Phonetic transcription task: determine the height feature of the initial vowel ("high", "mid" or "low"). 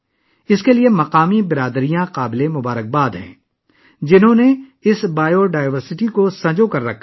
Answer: high